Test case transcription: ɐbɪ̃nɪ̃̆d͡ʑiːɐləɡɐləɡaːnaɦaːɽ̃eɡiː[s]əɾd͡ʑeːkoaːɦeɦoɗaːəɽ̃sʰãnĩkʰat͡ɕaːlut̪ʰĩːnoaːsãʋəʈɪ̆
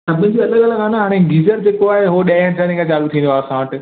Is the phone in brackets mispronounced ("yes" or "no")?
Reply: yes